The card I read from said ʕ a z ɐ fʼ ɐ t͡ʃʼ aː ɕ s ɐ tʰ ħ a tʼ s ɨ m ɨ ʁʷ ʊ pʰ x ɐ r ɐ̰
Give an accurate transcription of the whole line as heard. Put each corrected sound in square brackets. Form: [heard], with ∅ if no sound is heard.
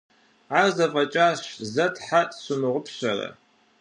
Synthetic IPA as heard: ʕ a z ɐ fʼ ɐ t͡ʃʼ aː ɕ [z] ɐ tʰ ħ a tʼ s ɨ m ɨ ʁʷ ʊ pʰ [ɕ] ɐ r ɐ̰

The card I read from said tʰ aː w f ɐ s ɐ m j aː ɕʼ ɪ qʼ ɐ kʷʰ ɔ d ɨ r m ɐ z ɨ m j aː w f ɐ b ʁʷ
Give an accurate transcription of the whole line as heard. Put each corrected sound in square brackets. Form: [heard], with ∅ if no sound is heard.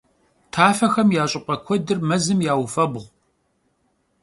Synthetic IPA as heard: tʰ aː [∅] f ɐ [x] ɐ m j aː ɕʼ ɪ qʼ ɐ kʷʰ ɔ d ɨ r m ɐ z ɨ m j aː w f ɐ b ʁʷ

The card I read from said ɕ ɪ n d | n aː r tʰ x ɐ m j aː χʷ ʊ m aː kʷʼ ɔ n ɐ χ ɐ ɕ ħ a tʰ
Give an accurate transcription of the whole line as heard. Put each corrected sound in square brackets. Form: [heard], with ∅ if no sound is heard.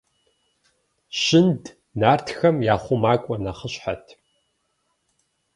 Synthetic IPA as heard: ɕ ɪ n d | n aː r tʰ x ɐ m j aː χʷ ʊ m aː kʷʼ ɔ n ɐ χ [ə] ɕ ħ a tʰ

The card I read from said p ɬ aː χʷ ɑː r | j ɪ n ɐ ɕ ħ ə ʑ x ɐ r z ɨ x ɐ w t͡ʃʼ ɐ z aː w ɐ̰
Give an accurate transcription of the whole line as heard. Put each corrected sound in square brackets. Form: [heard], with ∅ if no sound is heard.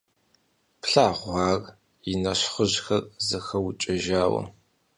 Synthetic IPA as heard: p ɬ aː [ʁʷ] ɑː r | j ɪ n ɐ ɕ [χ] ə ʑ x ɐ r z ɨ x ɐ w t͡ʃʼ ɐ [ʒ] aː w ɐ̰

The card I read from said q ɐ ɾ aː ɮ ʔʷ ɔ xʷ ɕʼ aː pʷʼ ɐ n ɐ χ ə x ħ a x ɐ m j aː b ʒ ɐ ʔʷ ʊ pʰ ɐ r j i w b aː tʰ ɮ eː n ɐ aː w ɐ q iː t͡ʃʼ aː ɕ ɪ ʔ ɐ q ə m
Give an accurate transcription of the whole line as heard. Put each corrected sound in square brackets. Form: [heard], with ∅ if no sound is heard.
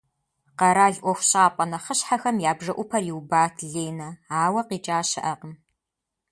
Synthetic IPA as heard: q ɐ ɾ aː ɮ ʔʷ ɔ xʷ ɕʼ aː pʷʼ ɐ n ɐ χ ə [ɕ] ħ a x ɐ m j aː b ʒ ɐ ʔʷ ʊ pʰ ɐ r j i w b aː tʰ ɮ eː n ɐ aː w ɐ q iː t͡ʃʼ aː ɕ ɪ ʔ ɐ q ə m

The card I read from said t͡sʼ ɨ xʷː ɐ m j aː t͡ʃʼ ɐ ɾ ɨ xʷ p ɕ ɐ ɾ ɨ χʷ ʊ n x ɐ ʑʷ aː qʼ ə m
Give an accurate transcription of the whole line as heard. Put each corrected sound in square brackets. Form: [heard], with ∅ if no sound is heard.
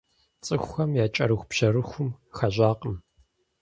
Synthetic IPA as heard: t͡sʼ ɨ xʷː ɐ m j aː t͡ʃʼ ɐ ɾ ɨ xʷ p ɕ ɐ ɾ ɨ [xʷ] ʊ [m] x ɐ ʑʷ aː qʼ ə m

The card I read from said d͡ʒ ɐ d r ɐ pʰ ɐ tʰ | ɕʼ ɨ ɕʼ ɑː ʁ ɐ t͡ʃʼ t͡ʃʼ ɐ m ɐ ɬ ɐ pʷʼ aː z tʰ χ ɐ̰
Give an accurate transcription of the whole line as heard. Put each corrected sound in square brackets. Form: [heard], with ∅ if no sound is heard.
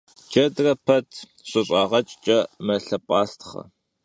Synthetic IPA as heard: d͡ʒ ɐ d r ɐ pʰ ɐ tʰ | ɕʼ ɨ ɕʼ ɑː ʁ ɐ t͡ʃʼ t͡ʃʼ ɐ m ɐ ɬ ɐ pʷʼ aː [s] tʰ χ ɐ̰

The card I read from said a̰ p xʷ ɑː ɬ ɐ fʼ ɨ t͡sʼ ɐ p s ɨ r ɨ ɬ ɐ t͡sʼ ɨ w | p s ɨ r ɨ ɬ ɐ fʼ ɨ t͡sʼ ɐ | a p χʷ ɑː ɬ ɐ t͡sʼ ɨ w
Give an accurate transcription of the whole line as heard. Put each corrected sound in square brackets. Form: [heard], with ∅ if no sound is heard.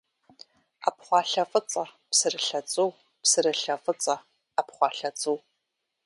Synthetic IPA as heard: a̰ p [χʷ] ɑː ɬ ɐ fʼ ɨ t͡sʼ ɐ p s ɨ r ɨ ɬ ɐ t͡sʼ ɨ w | p s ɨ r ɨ ɬ ɐ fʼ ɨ t͡sʼ ɐ | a p χʷ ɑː ɬ ɐ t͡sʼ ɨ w

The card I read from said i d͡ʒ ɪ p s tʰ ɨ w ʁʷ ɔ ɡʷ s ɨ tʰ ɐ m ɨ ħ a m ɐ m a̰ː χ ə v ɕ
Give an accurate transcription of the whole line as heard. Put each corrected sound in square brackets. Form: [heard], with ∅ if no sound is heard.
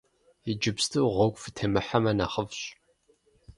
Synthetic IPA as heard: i d͡ʒ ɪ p s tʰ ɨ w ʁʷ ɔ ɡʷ [f] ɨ tʰ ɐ m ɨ ħ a m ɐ [n] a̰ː χ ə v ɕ

